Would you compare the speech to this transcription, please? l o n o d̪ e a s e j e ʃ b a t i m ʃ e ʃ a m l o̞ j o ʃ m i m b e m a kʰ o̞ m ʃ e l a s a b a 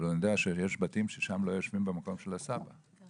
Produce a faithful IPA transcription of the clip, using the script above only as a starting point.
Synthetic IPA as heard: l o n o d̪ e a ʃ e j e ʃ b a t i m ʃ e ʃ a m l o̞ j o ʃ m i m b e m a k o̞ m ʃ e l a s a b a